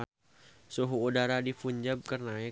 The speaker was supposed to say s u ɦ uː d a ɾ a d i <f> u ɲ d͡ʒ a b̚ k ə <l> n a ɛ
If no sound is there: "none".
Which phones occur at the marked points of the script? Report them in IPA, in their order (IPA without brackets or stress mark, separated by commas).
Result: f, r